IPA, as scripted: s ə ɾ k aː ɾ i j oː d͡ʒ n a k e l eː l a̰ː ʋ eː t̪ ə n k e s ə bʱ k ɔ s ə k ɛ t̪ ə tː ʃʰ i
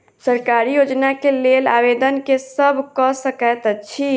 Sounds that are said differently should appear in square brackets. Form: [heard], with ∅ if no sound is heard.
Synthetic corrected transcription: s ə ɾ k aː ɾ i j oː d͡ʒ n a k e l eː l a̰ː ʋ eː [d̪] ə n k e s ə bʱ k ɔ s ə k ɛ t̪ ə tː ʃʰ i